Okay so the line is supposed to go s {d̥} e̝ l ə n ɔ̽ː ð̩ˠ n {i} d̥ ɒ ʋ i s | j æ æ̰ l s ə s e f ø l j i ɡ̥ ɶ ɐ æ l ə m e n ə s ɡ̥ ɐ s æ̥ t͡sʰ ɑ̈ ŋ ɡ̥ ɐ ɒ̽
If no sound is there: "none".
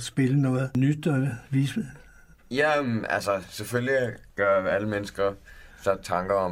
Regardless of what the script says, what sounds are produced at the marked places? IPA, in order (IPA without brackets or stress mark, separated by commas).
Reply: b̥, y